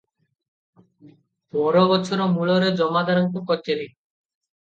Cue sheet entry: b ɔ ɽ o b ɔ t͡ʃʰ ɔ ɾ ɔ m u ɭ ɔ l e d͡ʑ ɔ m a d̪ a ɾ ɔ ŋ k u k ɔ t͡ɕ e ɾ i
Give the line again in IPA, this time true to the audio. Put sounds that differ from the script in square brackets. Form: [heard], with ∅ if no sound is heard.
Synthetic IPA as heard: b ɔ [ɾ] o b ɔ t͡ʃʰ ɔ ɾ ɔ m u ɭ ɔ [ɾ] e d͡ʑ ɔ m a d̪ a ɾ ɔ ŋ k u k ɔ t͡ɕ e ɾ i